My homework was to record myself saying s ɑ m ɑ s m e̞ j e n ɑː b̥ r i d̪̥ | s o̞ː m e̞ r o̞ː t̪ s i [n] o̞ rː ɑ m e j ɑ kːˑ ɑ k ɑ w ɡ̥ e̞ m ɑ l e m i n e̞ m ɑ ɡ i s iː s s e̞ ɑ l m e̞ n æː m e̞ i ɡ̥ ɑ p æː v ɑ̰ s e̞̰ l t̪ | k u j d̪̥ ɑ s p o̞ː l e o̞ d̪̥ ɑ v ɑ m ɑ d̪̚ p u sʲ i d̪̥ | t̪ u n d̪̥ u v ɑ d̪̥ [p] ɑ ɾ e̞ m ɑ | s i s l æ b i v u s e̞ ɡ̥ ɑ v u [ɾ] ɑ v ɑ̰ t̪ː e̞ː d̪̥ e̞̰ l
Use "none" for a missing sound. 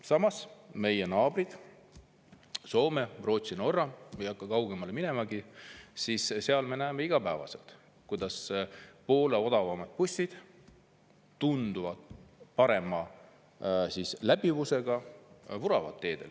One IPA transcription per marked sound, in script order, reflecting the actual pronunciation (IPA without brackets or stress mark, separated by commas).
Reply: n, p, ɾ